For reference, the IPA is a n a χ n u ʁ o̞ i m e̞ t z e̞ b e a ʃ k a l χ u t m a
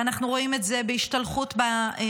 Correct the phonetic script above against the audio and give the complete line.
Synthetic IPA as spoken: a n a χ n u ʁ o̞ i m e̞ t z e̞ b e i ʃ t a l χ u t b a